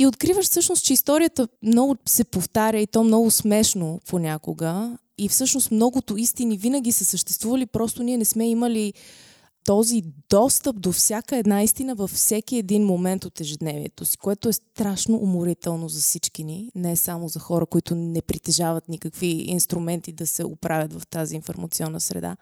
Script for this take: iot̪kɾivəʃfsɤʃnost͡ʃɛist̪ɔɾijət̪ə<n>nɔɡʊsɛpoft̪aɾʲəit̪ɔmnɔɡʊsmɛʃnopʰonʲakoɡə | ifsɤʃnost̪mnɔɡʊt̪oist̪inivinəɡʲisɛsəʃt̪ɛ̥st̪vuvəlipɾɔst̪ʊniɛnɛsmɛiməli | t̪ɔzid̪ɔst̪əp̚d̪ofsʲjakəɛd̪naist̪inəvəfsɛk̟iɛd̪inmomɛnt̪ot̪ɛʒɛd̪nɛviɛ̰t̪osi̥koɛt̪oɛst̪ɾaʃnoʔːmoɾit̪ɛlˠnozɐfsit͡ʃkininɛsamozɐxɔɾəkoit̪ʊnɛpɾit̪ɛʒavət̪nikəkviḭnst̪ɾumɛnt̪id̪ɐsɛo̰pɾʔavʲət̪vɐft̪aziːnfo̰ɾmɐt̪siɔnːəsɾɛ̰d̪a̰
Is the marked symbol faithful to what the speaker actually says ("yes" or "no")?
no